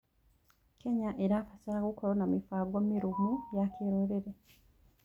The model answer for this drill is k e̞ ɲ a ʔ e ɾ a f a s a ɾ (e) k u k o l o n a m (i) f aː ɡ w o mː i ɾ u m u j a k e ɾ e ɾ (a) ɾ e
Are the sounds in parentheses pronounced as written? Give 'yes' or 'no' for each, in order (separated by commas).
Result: no, yes, no